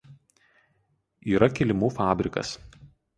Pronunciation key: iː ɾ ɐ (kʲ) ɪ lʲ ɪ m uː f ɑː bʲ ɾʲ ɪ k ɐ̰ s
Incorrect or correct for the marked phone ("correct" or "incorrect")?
correct